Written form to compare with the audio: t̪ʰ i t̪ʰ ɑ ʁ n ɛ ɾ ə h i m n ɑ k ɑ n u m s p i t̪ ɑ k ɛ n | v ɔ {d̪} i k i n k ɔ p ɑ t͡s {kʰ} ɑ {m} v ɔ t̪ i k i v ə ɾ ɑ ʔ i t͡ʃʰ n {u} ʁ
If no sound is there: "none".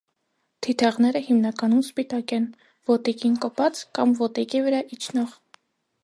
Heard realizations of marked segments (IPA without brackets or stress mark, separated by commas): t̪, k, m, ɔ